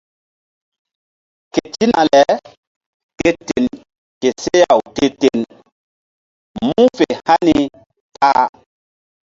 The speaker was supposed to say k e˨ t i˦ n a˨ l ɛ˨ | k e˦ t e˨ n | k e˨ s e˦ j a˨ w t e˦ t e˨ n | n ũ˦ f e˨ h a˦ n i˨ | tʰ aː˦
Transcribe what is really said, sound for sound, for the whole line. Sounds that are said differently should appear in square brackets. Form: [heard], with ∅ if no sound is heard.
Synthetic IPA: k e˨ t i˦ n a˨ l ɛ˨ | k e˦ t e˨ n | k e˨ s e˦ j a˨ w t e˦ t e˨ n | [m] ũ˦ f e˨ h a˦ n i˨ | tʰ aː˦